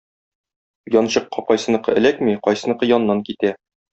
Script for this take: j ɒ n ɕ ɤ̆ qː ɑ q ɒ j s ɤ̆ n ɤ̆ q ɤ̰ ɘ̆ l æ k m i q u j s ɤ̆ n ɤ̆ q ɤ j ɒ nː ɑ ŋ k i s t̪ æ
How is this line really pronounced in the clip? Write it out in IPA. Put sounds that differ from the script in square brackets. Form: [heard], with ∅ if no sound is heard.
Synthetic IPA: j ɒ n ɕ ɤ̆ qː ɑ q ɒ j s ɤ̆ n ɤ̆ q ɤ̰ ɘ̆ l æ k m i q [ɒ] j s ɤ̆ n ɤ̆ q ɤ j ɒ nː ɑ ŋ k i [∅] t̪ æ